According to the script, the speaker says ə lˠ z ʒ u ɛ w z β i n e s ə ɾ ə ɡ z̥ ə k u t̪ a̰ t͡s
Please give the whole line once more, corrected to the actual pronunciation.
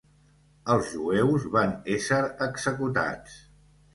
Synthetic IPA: ə lˠ z ʒ u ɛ w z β a n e s ə ɾ ə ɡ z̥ ə k u t̪ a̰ t͡s